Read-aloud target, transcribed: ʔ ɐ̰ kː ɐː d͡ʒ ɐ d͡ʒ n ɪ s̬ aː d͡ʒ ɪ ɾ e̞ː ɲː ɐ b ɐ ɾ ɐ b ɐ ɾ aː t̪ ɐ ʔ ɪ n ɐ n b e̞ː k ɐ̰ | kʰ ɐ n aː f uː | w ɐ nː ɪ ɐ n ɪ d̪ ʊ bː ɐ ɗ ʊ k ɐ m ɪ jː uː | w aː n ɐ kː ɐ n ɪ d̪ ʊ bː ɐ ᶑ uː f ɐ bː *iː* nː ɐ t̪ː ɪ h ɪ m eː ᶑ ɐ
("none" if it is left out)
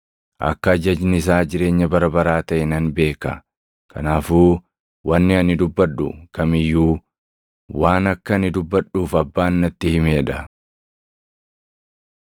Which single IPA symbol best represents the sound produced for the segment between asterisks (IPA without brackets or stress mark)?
aː